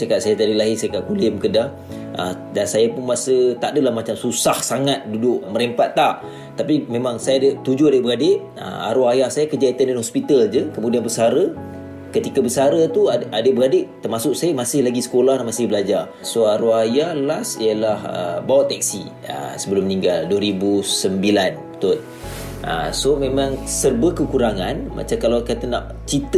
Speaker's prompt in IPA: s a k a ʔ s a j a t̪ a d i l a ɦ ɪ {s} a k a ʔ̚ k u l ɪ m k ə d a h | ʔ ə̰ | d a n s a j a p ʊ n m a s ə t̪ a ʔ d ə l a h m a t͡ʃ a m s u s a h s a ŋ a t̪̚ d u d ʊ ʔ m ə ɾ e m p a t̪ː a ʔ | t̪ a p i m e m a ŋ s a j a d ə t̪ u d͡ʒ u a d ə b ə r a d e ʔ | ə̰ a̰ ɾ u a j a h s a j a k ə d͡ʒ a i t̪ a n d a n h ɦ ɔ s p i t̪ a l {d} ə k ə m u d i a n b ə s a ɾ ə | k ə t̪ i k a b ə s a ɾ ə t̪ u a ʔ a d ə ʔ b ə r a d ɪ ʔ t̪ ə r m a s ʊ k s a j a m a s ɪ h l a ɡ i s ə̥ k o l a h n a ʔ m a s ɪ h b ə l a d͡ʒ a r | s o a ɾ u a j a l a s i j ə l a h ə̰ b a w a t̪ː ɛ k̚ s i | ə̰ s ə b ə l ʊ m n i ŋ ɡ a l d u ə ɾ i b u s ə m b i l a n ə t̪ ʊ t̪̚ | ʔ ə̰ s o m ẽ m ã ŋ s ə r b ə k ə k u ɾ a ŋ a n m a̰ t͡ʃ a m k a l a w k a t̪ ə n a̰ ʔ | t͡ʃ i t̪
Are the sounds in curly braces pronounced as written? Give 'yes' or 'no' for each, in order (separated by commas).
yes, no